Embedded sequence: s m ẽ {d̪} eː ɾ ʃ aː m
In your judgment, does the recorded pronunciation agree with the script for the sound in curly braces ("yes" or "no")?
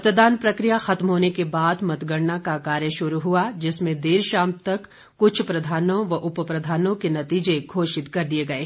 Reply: yes